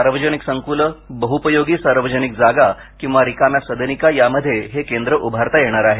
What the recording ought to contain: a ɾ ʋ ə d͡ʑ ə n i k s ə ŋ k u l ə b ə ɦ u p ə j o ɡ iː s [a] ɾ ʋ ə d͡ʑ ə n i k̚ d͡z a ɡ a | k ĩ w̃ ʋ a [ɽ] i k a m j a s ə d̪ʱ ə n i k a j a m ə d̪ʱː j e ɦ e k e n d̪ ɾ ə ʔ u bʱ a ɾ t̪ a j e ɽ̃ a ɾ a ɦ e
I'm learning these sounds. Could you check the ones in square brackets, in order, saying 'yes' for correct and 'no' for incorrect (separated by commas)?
yes, no